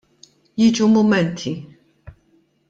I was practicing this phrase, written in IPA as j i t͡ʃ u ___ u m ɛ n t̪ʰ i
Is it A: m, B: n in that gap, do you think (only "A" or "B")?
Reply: A